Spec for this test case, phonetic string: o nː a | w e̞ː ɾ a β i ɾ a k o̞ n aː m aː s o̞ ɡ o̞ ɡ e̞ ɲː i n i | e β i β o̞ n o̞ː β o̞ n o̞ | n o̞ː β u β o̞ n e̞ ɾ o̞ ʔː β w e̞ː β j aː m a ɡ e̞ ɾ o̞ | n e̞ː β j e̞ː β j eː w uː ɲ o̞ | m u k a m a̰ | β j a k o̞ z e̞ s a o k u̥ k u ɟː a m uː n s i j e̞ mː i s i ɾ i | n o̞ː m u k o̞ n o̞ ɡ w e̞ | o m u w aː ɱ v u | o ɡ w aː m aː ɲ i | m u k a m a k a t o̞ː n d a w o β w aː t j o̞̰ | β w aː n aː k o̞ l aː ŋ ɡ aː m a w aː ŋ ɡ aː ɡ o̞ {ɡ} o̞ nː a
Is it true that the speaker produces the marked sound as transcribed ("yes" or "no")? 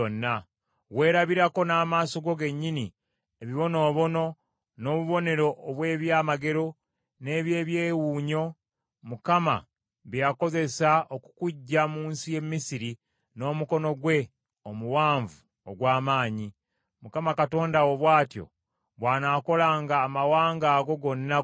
yes